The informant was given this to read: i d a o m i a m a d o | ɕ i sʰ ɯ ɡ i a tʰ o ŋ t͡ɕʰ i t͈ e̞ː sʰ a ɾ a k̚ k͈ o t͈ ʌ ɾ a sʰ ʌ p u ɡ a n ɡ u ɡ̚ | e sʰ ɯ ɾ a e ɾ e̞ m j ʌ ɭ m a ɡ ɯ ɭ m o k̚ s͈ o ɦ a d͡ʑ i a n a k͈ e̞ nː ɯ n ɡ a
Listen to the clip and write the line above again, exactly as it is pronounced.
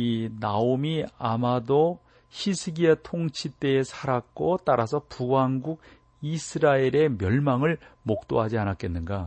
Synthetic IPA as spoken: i n a o m i a m a d o | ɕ i sʰ ɯ ɡ i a tʰ o ŋ t͡ɕʰ i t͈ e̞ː sʰ a ɾ a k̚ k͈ o t͈ a ɾ a sʰ ʌ p u ɡ a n ɡ u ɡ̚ | i sʰ ɯ ɾ a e ɾ e̞ m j ʌ ɭ m a ŋ ɯ ɭ m o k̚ t͈ o ɦ a d͡ʑ i a n a k͈ e̞ nː ɯ n ɡ a